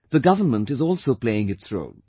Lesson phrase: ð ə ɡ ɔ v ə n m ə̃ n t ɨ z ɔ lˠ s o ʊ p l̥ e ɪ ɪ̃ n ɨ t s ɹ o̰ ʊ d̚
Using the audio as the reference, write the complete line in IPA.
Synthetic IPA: ð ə ɡ ʌ v ə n m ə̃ n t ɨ z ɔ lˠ s o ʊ p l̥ e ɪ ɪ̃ ŋ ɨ t s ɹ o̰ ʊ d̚